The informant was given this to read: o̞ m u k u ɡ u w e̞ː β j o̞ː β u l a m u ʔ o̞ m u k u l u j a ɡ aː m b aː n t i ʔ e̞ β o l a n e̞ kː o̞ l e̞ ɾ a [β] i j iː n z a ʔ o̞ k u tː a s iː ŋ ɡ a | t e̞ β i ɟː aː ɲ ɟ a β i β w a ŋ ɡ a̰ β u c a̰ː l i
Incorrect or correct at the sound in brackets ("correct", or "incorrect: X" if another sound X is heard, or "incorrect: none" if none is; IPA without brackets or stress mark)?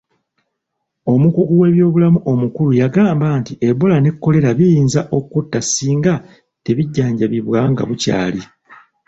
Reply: correct